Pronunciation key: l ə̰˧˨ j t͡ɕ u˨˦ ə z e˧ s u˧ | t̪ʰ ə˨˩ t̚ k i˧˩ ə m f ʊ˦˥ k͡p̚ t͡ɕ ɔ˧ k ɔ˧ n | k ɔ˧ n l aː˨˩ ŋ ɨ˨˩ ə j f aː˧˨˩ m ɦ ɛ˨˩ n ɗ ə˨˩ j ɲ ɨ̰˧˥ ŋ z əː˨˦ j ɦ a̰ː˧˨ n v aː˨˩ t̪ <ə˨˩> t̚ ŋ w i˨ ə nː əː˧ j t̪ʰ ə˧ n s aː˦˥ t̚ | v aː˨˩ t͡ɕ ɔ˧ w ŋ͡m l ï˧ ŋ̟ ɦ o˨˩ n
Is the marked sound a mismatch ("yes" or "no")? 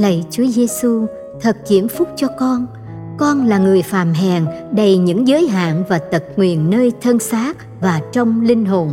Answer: no